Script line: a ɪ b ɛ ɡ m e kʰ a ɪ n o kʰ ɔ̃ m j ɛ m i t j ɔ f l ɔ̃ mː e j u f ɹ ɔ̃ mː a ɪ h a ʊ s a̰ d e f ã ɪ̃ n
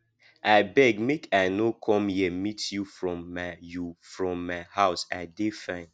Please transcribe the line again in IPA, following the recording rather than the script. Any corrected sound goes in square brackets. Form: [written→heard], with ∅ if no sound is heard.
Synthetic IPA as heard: a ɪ b ɛ ɡ m e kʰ a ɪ n o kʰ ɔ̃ m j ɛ m i t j [ɔ→u] f [l→ɹ] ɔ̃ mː [e→a] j u f ɹ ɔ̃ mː a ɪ h a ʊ s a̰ d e f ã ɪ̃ n